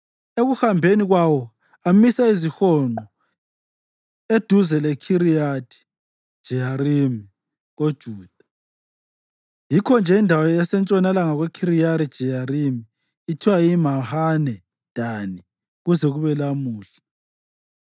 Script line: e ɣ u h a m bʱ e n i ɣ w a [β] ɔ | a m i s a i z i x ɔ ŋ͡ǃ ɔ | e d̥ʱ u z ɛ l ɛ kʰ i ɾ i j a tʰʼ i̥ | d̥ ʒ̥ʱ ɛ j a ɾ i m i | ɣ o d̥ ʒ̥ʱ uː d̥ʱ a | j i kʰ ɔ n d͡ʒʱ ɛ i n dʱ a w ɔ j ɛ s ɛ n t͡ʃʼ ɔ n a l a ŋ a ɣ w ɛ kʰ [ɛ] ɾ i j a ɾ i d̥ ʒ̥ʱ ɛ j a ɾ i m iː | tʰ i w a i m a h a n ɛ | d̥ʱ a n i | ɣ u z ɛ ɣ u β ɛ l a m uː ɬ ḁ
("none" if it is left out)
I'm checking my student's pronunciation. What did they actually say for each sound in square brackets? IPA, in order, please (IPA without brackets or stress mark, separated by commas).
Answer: w, i